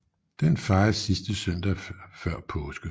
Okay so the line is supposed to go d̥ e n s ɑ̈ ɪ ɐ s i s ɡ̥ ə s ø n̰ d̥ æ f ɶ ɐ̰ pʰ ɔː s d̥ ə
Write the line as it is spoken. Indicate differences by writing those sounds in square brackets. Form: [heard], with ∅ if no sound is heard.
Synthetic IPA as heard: d̥ e n [f] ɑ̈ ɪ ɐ s i s [d̥] ə s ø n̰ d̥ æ f ɶ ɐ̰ pʰ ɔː s [ɡ̥] ə